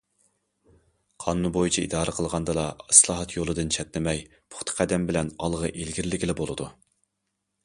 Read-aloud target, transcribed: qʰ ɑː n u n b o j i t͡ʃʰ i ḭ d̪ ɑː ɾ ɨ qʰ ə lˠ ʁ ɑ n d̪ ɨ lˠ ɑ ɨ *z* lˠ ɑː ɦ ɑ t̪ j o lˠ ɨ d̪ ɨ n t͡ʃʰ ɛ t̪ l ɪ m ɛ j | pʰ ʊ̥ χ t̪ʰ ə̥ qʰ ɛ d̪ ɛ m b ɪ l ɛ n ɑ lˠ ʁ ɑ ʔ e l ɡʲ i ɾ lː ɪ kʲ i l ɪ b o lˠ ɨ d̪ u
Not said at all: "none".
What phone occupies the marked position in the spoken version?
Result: s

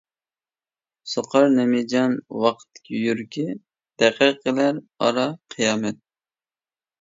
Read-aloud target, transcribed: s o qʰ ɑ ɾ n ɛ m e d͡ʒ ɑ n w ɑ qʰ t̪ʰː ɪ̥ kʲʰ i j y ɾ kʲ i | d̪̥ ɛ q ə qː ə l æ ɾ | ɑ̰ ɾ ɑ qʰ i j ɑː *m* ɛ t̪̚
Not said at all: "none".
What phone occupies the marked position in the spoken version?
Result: m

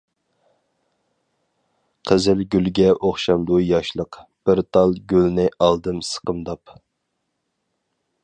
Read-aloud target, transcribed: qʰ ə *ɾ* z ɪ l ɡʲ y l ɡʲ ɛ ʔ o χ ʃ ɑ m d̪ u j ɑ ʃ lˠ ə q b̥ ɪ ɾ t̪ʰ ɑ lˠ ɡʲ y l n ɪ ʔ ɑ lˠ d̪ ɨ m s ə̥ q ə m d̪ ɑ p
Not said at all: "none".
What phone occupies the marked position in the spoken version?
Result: none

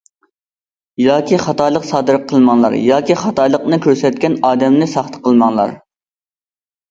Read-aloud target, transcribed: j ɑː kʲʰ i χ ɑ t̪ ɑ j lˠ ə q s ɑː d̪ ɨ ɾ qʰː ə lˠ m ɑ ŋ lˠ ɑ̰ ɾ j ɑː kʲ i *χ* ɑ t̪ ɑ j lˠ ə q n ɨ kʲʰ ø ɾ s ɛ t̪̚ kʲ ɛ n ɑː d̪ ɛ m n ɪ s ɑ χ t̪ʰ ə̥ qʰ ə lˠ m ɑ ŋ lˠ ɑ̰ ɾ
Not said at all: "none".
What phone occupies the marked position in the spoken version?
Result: χ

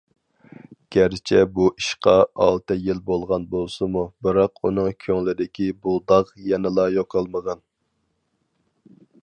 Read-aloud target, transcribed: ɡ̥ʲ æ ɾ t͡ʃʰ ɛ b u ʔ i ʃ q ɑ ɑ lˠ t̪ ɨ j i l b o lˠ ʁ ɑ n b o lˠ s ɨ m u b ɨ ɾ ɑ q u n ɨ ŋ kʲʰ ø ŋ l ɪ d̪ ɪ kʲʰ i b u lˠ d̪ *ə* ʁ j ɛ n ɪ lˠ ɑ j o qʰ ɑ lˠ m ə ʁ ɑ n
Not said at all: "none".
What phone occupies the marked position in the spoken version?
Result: ɑ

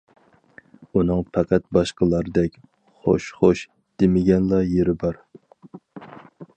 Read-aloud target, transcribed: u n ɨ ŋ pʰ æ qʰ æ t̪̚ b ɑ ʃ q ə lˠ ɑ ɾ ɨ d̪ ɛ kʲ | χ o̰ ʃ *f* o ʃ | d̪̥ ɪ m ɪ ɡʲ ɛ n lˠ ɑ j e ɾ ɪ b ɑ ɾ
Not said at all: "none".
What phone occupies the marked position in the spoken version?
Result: χ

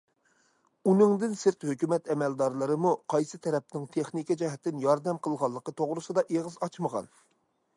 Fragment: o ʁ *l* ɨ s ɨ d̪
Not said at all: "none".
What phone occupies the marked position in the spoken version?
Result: ɾ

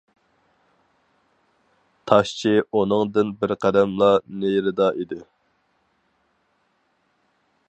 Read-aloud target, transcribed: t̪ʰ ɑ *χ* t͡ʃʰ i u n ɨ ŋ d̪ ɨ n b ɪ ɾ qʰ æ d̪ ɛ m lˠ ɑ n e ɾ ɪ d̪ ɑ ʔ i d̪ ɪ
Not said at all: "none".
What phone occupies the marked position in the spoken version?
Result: ʃ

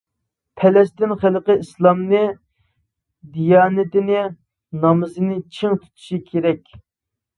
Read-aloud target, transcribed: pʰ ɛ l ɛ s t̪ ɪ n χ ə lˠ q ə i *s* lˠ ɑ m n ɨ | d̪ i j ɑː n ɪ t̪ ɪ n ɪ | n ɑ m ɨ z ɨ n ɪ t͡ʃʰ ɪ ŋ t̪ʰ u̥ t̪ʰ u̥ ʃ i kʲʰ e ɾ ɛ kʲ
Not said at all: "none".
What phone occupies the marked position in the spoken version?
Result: s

